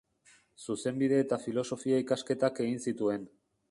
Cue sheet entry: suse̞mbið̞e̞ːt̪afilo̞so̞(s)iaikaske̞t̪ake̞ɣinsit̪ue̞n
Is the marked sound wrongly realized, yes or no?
yes